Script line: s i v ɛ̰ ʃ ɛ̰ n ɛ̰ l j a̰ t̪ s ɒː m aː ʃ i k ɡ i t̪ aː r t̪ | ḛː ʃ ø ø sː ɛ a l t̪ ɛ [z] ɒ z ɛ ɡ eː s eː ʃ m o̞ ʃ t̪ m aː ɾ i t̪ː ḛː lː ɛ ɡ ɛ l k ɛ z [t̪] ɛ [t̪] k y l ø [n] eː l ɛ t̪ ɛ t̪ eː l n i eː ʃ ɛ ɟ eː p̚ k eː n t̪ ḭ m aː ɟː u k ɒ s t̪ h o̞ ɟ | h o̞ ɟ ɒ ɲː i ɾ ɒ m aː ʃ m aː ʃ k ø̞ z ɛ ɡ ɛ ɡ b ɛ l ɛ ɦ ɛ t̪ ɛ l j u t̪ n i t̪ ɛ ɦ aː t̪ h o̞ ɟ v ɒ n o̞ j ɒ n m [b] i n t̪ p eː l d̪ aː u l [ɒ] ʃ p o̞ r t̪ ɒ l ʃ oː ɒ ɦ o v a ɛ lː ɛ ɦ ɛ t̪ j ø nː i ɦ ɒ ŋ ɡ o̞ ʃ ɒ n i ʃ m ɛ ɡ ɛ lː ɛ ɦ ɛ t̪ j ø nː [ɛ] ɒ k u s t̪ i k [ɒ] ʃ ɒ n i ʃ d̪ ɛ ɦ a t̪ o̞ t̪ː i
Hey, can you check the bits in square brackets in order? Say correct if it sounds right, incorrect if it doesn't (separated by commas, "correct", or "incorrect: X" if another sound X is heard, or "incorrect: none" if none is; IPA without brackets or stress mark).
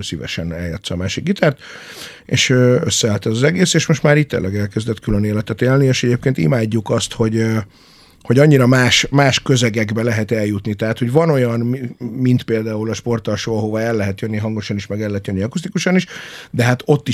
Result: correct, incorrect: d̪, correct, correct, incorrect: m, correct, incorrect: i, incorrect: u